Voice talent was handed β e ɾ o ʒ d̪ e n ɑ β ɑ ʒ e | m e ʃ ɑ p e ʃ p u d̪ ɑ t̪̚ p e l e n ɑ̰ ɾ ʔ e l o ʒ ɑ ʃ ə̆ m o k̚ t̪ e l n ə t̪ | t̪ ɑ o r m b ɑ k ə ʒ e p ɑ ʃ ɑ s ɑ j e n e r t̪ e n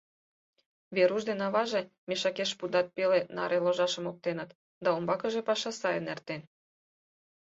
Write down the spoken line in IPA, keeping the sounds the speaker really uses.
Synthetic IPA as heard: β e ɾ u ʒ d̪ e n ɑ β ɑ ʒ e | m e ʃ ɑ k e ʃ p u d̪ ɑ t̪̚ p e l e n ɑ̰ ɾ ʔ e l o ʒ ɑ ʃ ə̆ m o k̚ t̪ e n ə t̪ | d̪ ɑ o m b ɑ k ə ʒ e p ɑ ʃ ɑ s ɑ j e n e r t̪ e n